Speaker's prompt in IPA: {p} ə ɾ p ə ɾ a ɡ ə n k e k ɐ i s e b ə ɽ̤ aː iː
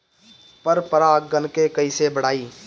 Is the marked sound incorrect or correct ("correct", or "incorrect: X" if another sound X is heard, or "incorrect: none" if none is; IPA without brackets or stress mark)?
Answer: correct